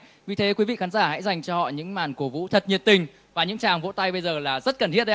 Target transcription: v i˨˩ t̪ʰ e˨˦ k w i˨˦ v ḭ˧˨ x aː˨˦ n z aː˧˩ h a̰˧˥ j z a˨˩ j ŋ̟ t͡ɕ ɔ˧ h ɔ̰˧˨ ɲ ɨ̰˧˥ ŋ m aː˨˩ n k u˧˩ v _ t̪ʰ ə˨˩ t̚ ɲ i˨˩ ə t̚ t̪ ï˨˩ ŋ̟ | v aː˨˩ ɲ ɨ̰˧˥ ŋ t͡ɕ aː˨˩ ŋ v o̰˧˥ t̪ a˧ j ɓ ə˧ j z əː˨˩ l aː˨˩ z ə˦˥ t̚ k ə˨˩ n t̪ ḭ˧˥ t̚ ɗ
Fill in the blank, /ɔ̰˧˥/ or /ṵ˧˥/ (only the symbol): ṵ˧˥